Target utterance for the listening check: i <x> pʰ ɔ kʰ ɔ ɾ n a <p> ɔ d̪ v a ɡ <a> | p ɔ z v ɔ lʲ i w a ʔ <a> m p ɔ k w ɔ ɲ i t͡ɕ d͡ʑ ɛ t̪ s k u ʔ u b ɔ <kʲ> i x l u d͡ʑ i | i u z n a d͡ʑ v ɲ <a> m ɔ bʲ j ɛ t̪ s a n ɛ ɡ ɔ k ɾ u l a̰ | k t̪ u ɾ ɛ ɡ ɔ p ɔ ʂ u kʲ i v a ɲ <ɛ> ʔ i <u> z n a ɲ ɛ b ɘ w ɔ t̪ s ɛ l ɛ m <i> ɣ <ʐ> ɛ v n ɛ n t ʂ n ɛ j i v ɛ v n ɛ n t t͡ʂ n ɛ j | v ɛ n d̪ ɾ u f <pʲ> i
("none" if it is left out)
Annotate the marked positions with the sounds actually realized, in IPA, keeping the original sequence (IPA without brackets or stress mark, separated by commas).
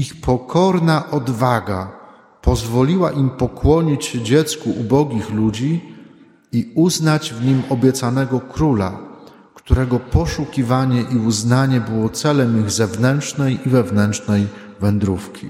x, ʔ, a, i, ɡʲ, i, ɛ, u, i, z, kʲ